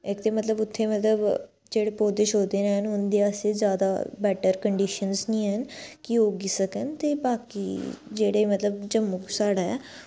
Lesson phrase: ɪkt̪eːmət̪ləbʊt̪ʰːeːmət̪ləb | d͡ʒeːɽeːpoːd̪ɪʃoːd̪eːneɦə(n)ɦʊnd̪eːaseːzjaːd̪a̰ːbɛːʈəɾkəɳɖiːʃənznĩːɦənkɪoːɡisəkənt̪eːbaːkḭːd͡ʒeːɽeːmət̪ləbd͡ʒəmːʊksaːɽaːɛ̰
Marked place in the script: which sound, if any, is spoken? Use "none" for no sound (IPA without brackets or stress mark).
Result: n